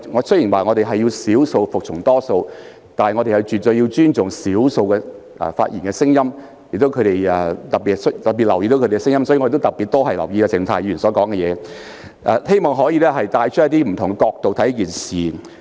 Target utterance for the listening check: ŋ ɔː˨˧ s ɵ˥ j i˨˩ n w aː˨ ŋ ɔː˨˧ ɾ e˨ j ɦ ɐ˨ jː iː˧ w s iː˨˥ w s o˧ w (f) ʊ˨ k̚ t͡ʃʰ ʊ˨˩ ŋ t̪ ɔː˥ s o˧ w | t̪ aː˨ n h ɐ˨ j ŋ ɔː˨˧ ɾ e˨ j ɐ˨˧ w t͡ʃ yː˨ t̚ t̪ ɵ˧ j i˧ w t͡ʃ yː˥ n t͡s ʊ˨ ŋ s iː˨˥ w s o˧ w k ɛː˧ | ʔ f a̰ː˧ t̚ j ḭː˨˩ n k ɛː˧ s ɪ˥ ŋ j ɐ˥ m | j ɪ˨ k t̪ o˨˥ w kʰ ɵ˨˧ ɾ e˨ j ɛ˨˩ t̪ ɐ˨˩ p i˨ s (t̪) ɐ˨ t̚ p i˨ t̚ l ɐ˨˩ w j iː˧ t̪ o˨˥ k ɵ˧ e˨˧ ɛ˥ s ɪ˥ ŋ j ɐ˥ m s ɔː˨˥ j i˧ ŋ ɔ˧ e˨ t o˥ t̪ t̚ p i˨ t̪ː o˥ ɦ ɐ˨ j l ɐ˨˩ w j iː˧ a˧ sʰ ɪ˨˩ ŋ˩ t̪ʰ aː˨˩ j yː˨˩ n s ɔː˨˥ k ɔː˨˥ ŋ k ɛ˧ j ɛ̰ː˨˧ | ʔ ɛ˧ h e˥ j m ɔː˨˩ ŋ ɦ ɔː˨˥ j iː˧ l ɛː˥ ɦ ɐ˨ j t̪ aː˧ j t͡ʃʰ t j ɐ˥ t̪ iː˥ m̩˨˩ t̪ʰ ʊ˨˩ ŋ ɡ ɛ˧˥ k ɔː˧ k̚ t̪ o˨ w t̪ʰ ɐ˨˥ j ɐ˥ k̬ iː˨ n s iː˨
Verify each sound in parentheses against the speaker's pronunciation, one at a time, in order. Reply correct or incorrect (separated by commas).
correct, correct